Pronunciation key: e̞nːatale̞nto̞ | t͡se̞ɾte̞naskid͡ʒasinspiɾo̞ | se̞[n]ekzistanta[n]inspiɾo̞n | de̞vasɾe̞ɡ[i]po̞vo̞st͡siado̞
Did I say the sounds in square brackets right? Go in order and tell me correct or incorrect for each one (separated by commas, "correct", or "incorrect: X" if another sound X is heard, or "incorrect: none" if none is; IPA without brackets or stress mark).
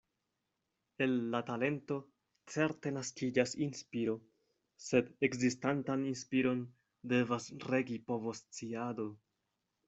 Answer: incorrect: d, correct, correct